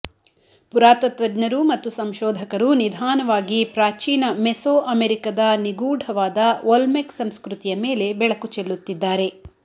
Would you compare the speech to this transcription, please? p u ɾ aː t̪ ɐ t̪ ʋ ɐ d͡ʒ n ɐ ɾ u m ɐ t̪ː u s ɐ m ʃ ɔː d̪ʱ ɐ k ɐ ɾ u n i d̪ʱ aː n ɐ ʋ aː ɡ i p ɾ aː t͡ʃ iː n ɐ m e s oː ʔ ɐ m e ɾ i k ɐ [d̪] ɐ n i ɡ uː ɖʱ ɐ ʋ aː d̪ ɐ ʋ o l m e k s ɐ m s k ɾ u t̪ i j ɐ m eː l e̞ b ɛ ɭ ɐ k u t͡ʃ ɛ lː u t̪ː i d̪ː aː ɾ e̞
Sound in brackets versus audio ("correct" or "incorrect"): correct